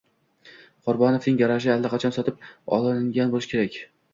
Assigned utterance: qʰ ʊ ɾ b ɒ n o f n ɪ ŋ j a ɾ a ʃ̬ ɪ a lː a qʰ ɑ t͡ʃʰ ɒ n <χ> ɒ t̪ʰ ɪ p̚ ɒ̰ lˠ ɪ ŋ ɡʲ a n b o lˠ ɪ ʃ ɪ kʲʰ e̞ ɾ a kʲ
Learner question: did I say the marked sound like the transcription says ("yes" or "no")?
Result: no